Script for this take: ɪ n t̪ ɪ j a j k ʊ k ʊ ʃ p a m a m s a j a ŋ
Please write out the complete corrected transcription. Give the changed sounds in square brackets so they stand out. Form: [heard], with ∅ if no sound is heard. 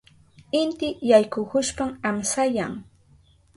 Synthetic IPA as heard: ɪ n t̪ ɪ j a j k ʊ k ʊ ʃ p a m a m s a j a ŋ